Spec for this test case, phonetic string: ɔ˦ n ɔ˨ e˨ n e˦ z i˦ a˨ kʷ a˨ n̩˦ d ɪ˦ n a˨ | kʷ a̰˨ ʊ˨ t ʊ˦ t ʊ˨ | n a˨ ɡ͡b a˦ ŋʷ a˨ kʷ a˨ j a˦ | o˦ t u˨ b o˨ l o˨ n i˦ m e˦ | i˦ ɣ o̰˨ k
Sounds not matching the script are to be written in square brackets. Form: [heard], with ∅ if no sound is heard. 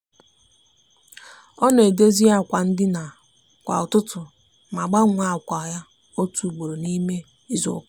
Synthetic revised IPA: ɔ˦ n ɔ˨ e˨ [d] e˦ z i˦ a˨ kʷ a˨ n̩˦ d ɪ˦ n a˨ | kʷ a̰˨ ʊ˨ t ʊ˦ t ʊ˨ | [m] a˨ ɡ͡b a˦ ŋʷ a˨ kʷ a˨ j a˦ | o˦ t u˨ [ɡ͡b] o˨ [ɾ] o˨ n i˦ m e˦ | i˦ [z] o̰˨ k